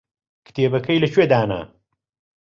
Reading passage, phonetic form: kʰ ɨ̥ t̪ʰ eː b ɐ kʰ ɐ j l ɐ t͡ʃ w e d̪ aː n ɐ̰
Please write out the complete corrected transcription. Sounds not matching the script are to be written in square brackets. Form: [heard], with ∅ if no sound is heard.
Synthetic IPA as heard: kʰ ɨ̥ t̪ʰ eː b ɐ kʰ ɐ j l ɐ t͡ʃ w e d̪ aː n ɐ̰